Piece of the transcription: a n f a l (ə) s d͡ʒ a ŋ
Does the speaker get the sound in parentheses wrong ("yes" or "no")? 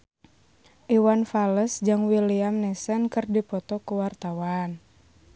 no